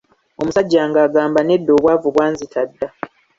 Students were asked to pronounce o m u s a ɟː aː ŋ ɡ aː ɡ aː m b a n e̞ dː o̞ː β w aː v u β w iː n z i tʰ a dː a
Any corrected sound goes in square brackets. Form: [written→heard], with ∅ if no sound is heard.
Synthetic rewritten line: o m u s a ɟː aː ŋ ɡ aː ɡ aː m b a n e̞ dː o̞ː β w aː v u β w [iː→aː] n z i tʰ a dː a